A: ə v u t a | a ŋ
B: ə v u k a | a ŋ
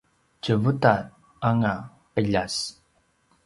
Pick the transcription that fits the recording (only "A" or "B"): A